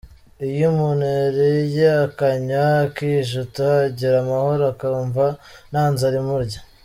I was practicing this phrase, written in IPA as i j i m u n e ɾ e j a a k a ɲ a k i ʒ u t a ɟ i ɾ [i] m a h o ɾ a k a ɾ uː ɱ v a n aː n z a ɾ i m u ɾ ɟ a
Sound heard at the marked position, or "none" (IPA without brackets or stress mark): a